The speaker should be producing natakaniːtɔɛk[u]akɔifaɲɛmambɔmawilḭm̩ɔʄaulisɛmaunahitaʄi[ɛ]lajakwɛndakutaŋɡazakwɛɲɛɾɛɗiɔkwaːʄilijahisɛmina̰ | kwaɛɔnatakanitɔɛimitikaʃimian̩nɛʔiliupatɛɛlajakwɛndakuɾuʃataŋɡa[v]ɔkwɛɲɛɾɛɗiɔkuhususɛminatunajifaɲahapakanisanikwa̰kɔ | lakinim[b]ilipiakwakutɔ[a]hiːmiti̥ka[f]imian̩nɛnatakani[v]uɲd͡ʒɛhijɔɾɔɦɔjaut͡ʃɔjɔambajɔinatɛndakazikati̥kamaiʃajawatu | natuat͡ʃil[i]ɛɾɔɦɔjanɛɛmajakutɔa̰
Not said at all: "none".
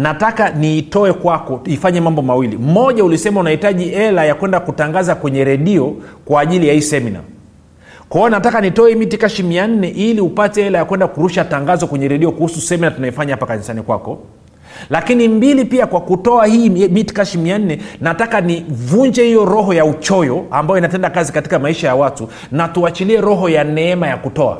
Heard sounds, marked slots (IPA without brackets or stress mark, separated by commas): w, ɛ, z, b, a, ʃ, v, i